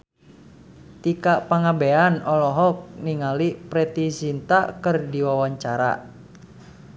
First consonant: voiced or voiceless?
voiceless